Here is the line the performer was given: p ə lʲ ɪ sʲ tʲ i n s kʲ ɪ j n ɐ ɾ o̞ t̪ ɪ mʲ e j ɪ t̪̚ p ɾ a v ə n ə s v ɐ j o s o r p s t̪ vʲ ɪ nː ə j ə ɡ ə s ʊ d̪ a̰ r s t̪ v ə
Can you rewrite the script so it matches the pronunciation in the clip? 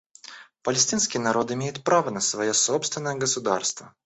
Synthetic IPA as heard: p ə lʲ ɪ sʲ tʲ i n s kʲ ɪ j n ɐ ɾ o̞ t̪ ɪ mʲ e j ɪ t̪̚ p ɾ a v ə n ə s v ɐ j o s o p s t̪ vʲ ɪ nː ə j ə ɡ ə s ʊ d̪ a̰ r s t̪ v ə